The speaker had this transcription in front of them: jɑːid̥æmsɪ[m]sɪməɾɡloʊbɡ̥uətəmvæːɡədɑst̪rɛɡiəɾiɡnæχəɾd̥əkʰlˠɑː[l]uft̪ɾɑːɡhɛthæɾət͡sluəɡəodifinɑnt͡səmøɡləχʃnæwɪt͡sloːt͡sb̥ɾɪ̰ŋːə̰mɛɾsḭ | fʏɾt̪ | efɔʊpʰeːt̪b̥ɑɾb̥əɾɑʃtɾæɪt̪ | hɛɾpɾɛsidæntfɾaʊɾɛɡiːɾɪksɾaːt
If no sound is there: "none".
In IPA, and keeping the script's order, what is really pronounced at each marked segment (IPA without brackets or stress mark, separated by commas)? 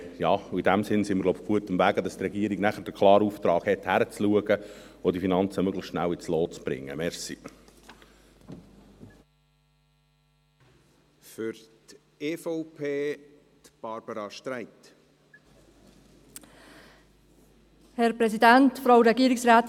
n, ɾ